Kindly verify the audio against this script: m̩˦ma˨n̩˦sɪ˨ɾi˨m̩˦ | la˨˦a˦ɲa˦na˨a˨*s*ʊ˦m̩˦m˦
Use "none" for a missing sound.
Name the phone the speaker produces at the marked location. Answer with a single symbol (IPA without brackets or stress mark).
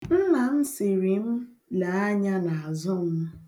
z